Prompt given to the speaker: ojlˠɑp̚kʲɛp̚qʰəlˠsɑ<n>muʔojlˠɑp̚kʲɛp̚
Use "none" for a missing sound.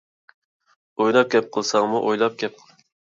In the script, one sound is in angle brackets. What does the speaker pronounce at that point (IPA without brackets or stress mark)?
ŋ